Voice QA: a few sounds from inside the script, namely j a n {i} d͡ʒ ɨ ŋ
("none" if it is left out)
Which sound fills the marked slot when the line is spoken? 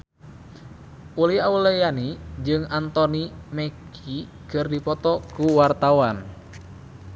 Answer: i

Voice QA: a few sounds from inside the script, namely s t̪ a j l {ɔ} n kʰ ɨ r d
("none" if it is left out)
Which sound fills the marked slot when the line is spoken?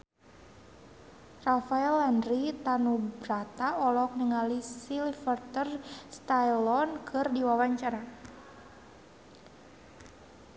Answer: ɔ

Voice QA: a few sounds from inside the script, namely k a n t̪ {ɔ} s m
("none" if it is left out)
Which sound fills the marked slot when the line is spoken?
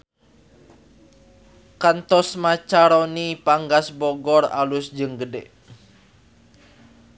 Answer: ɔ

